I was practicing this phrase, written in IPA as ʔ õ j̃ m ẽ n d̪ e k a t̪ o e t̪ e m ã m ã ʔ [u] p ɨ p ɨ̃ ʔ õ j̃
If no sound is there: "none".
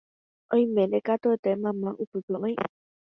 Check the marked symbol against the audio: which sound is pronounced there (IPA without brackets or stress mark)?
u